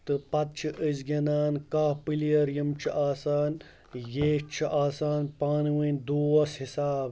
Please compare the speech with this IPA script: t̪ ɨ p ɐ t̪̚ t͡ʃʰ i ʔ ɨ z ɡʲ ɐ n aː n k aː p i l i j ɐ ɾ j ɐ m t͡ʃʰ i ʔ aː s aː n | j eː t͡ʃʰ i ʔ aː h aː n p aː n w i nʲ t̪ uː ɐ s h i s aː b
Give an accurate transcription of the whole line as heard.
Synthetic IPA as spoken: t̪ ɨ p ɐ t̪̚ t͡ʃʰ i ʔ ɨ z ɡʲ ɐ n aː n k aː p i l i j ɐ ɾ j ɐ m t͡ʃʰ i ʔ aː s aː n | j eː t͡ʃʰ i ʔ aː s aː n p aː n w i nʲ d̪ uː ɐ s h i s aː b